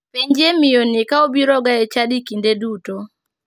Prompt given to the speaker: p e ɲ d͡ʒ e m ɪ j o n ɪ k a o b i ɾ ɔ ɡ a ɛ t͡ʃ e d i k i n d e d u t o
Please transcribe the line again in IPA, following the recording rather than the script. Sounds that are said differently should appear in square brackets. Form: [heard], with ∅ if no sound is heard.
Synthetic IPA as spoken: p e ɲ d͡ʒ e m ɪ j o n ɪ k a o b i ɾ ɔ ɡ a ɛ t͡ʃ [a] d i k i n d e d u t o